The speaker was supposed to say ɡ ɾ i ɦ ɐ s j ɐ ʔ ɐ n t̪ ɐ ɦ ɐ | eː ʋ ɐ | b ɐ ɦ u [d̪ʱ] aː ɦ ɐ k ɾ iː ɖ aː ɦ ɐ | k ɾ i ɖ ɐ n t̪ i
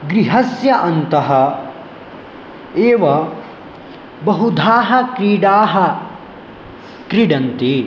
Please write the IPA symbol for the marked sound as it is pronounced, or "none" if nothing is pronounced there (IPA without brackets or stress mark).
d̪ʱ